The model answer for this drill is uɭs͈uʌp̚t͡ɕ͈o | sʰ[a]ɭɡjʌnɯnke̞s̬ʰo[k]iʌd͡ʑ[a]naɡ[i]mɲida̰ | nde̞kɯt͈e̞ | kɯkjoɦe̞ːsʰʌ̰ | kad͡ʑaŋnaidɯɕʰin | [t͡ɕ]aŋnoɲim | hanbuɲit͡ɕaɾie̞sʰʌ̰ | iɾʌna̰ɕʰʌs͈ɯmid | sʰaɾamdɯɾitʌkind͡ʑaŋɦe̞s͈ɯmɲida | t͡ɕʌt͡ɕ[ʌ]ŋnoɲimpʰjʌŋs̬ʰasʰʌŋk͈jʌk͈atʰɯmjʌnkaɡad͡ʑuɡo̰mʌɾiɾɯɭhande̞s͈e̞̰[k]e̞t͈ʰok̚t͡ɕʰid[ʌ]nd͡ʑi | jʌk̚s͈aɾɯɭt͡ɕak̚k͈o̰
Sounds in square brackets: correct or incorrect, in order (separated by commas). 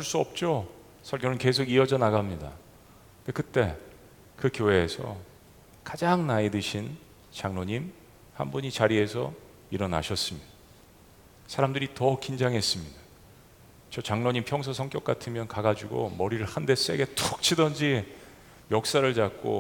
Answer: incorrect, incorrect, incorrect, incorrect, correct, incorrect, incorrect, correct